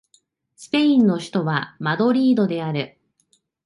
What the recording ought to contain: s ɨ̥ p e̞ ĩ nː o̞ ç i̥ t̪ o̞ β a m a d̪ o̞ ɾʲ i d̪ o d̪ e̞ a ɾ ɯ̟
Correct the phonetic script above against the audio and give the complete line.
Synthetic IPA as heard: s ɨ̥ p e̞ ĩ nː o̞ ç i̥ t̪ o̞ β a m a d̪ o̞ ɾʲ iː d̪ o d̪ e̞ a ɾ ɯ̟